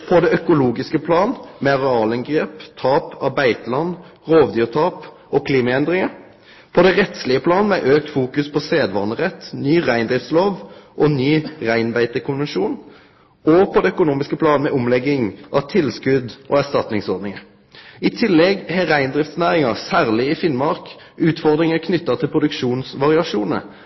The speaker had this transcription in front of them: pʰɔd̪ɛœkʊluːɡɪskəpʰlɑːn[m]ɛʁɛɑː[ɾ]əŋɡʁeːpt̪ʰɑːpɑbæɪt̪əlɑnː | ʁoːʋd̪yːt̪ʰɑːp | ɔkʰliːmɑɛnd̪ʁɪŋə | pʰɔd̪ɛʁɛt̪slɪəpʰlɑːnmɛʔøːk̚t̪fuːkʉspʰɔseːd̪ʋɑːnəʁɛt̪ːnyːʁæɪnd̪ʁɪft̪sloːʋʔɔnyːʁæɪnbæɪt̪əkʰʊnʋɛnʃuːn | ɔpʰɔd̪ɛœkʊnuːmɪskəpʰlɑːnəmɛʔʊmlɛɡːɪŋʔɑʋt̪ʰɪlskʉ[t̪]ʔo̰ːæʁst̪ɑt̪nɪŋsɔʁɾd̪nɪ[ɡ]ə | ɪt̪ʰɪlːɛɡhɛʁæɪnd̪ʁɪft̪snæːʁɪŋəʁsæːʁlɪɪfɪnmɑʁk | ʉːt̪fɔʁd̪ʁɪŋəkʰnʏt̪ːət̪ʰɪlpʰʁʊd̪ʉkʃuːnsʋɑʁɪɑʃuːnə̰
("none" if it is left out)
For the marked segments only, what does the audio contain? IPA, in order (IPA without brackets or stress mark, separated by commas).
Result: m, l, d̪, ŋ